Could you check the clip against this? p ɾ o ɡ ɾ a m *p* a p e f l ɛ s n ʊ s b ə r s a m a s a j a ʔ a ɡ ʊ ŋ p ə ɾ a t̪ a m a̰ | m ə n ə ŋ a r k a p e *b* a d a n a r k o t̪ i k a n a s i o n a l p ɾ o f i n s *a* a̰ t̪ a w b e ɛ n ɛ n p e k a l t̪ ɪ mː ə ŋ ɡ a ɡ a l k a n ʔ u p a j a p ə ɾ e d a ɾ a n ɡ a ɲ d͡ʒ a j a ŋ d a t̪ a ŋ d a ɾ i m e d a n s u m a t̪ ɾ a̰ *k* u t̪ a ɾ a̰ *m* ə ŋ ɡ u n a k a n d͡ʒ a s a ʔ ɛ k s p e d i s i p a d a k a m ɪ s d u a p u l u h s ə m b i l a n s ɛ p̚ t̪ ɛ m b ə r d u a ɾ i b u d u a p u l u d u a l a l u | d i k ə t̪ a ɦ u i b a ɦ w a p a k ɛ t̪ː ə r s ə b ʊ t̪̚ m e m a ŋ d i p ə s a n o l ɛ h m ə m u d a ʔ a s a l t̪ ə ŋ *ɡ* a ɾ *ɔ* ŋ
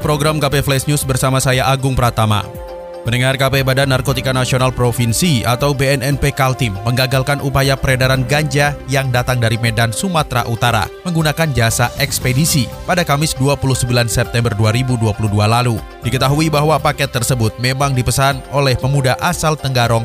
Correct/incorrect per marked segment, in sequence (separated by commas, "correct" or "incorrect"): incorrect, correct, incorrect, incorrect, correct, correct, correct